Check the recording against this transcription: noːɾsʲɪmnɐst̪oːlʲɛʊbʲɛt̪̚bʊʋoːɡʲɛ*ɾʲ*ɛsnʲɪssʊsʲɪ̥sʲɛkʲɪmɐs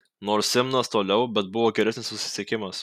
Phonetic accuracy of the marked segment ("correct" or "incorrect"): correct